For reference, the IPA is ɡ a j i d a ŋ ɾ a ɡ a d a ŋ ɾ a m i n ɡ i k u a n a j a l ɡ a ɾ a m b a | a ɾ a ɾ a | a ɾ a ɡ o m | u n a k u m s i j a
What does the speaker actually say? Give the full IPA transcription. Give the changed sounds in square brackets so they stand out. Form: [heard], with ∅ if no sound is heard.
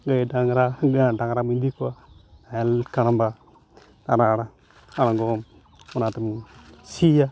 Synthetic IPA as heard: ɡ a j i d a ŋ ɾ a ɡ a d a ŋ ɾ a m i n [d] i k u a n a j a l [k] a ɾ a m b a | a ɾ a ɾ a | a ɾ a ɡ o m | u n a [t] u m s i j a